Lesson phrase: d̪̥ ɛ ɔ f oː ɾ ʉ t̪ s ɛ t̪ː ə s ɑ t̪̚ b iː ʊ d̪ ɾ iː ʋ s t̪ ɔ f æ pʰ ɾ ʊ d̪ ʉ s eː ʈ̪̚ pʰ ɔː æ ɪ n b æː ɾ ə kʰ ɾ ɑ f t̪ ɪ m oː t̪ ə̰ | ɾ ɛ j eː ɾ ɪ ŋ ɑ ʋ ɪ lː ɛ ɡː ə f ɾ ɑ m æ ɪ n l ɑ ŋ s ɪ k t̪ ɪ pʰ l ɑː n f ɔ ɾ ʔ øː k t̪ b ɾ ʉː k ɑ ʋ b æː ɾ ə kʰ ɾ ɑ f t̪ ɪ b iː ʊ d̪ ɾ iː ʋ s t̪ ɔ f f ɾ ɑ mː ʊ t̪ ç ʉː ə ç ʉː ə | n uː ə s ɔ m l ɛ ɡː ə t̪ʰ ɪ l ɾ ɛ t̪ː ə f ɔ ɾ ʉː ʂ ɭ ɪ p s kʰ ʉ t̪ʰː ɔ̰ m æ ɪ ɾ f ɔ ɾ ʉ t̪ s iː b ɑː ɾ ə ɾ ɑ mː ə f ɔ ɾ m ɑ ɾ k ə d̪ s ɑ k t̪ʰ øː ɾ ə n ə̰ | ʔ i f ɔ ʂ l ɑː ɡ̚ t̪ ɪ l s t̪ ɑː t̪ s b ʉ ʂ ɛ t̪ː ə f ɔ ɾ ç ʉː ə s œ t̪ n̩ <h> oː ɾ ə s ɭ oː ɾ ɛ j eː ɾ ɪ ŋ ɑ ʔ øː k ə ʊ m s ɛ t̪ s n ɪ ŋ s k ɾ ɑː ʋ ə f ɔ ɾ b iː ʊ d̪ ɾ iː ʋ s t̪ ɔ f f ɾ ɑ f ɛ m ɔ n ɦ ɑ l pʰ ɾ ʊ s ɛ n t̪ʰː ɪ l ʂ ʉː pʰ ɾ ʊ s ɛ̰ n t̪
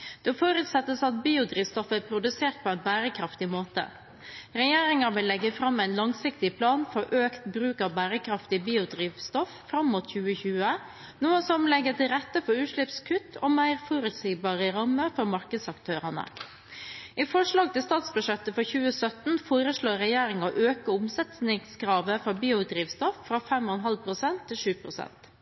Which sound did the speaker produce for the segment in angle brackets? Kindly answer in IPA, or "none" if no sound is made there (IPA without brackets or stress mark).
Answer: f